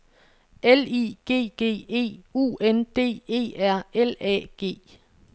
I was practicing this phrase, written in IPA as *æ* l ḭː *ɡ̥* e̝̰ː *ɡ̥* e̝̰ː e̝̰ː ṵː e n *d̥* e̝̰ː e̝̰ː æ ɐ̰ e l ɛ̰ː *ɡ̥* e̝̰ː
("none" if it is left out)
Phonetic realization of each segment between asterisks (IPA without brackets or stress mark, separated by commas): e, ɡ̥, ɡ̥, d̥, ɡ̥